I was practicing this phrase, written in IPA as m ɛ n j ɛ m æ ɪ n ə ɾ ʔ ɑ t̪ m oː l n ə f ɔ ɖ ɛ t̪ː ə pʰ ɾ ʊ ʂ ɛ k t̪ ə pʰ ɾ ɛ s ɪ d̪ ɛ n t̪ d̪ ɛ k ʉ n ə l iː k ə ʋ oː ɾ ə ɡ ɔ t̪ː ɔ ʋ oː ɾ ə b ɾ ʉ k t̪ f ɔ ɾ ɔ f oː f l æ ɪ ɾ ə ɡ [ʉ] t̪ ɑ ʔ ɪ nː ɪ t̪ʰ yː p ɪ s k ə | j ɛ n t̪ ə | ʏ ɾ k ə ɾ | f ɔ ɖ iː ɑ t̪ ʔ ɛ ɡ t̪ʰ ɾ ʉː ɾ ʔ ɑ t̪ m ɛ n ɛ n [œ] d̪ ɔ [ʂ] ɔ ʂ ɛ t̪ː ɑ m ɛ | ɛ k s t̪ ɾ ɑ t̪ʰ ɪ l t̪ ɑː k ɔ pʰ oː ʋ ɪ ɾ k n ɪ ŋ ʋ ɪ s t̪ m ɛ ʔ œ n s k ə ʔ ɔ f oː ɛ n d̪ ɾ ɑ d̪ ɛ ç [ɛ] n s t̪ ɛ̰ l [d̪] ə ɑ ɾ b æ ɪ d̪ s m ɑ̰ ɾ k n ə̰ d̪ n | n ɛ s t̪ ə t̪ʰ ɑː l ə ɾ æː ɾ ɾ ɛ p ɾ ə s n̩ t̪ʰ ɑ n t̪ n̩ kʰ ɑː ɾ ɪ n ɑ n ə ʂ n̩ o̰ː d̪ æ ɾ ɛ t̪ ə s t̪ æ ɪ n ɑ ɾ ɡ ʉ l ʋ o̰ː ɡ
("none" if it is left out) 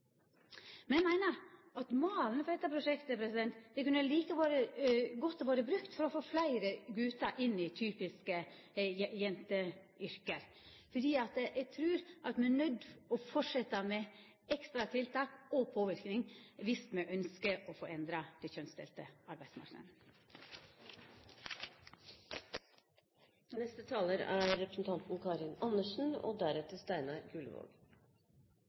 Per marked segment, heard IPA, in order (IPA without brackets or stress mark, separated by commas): ʉː, œ, f, œ, t̪